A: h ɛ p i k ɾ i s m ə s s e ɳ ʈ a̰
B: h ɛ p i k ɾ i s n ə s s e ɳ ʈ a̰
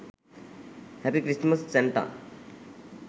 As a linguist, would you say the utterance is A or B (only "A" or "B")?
A